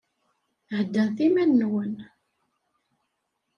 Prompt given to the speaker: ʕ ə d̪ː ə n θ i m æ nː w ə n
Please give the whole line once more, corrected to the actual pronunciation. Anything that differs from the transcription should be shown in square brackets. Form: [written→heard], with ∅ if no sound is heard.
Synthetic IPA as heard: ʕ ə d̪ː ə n θ i m æ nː w ə n